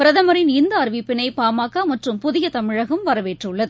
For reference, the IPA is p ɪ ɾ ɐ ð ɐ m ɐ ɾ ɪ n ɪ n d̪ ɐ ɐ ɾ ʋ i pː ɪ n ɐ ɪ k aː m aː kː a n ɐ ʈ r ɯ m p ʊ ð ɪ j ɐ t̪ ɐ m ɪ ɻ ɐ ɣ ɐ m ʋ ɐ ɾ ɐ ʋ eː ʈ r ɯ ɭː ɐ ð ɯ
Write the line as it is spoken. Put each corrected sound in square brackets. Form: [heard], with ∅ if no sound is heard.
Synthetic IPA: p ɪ ɾ ɐ ð ɐ m ɐ ɾ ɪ n ɪ n d̪ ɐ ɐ ɾ ʋ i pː ɪ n ɐ ɪ [p] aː m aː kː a [m] ɐ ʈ r ɯ m p ʊ ð ɪ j ɐ t̪ ɐ m ɪ ɻ ɐ ɣ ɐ m ʋ ɐ ɾ ɐ ʋ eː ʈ r ɯ ɭː ɐ ð ɯ